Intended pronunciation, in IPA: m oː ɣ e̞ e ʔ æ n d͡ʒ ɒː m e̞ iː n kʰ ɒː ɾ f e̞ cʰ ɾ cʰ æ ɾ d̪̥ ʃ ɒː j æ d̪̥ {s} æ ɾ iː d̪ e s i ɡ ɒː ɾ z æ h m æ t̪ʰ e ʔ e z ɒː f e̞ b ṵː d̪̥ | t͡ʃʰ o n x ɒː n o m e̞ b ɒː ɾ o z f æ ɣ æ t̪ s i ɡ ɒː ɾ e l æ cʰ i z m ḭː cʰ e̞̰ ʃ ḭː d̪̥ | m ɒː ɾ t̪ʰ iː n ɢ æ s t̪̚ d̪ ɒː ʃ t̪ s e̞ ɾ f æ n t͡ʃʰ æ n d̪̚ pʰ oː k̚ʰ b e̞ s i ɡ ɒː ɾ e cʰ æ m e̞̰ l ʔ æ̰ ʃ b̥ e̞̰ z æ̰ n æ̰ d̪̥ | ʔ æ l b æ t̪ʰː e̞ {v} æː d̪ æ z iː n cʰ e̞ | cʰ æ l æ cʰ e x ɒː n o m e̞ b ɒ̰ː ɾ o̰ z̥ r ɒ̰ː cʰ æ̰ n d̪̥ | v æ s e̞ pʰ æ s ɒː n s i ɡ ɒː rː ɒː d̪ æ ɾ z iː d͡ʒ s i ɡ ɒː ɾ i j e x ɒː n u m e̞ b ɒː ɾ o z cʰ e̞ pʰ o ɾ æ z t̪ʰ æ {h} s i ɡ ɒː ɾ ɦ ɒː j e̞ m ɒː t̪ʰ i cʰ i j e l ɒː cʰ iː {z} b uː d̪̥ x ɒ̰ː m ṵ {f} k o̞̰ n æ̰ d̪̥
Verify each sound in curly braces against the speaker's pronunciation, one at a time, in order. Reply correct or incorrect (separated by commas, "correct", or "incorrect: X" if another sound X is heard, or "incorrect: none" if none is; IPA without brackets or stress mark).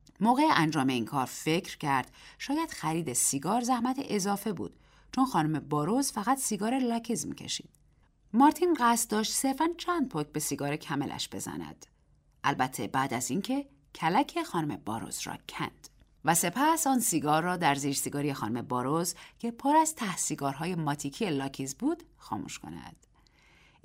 incorrect: x, incorrect: b, correct, correct, incorrect: ʃ